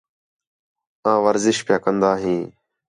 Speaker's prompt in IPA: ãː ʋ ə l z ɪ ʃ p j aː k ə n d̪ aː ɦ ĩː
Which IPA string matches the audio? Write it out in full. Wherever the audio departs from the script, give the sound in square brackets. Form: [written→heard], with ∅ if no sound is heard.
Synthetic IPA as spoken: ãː ʋ ə [l→ɾ] z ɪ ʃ p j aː k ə n d̪ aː ɦ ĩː